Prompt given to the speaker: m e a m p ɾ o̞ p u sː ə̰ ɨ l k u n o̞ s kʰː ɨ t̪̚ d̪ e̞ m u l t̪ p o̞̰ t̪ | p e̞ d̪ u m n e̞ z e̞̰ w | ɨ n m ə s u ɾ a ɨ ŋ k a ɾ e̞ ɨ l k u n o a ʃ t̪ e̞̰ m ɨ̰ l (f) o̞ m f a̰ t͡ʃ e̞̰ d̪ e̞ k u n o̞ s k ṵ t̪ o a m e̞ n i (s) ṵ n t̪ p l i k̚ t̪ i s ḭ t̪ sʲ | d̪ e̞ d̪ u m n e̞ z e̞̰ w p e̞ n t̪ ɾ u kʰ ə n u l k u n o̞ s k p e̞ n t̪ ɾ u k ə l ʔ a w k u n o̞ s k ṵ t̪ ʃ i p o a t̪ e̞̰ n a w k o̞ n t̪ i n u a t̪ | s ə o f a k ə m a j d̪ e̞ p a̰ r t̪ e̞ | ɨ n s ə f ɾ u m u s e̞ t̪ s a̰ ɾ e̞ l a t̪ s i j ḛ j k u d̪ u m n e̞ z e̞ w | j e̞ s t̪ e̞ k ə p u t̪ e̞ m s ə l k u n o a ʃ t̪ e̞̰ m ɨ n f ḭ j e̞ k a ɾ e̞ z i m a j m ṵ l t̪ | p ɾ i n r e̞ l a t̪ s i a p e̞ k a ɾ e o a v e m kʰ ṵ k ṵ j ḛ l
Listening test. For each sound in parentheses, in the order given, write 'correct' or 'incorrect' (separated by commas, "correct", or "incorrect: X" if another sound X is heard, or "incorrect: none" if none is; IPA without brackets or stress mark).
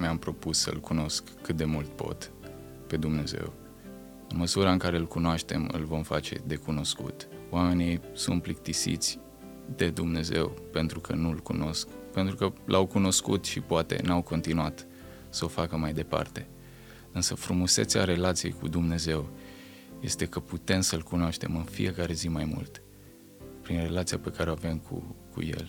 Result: incorrect: v, correct